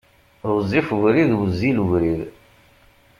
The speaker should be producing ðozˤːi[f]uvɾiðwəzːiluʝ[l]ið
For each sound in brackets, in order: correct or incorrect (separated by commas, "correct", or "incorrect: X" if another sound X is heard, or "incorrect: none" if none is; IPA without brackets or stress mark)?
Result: correct, incorrect: ɾ